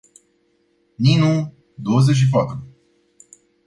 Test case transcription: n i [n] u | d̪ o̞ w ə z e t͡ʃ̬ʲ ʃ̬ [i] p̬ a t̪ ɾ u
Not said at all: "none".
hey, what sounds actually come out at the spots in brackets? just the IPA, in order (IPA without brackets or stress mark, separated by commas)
n, i